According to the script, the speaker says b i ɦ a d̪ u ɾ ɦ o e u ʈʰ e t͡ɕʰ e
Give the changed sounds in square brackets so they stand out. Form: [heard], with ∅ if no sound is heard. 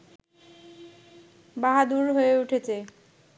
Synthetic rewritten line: b [a] ɦ a d̪ u ɾ ɦ o e u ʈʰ e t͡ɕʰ e